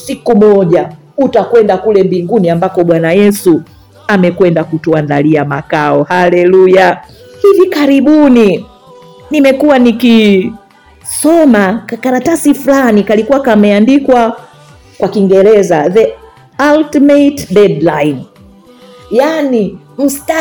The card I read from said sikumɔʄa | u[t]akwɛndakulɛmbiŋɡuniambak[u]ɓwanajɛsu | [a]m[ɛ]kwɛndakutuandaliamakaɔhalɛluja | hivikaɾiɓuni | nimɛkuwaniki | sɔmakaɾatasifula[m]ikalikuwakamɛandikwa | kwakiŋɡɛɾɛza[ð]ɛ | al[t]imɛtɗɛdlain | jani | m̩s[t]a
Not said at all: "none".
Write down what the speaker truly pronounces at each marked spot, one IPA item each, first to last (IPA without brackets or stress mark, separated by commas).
t, ɔ, a, ɛ, n, ð, t, t